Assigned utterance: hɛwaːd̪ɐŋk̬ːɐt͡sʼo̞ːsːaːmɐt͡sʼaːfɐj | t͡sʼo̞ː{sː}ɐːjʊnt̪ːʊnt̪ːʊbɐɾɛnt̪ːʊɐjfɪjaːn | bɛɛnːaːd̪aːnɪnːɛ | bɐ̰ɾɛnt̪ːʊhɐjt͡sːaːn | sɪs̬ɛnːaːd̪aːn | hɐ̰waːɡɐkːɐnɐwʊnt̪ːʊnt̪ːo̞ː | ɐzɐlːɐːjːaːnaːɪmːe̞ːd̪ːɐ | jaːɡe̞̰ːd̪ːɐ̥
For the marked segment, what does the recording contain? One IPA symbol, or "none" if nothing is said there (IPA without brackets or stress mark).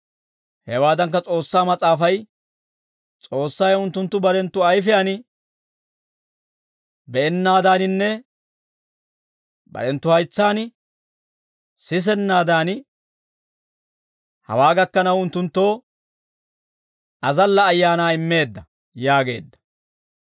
sː